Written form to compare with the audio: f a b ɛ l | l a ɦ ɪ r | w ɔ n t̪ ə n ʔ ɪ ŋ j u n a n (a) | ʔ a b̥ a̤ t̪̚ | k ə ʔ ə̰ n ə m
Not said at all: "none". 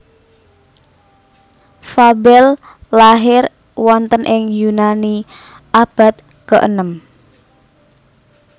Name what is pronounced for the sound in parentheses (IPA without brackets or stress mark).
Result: i